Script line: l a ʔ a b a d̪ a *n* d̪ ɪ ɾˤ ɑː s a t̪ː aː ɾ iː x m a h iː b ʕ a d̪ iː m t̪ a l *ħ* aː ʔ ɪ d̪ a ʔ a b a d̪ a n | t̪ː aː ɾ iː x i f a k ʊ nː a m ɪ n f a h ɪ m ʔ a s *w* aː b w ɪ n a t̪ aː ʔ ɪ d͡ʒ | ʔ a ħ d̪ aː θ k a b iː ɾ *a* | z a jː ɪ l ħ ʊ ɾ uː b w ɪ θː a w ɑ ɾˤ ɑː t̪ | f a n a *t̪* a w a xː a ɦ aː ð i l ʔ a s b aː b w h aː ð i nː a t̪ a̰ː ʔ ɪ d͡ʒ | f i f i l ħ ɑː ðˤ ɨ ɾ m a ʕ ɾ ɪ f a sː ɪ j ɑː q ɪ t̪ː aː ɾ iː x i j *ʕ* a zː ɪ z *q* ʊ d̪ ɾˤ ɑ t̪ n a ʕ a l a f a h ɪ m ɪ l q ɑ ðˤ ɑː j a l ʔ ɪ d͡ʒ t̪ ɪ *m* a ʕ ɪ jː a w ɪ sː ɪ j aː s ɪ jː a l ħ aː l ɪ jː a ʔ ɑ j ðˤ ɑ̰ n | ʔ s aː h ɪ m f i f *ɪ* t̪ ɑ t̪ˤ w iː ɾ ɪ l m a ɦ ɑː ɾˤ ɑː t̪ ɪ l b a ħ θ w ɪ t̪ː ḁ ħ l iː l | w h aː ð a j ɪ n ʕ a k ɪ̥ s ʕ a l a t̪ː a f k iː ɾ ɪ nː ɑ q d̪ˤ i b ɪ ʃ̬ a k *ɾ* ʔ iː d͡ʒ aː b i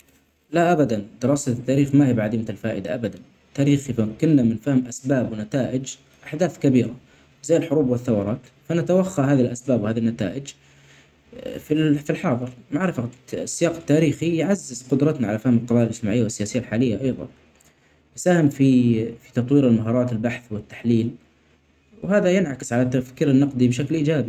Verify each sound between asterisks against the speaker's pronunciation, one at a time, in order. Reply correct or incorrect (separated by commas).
correct, incorrect, incorrect, correct, correct, correct, correct, correct, incorrect, incorrect